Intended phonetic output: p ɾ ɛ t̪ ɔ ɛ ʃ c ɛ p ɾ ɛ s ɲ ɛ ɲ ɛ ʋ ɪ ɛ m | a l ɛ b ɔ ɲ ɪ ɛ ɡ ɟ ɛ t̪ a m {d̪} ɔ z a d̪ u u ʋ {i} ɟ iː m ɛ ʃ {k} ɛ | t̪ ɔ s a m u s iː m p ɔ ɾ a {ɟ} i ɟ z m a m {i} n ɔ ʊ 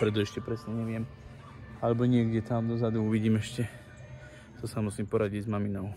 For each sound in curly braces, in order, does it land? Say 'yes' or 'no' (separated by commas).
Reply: yes, yes, no, yes, yes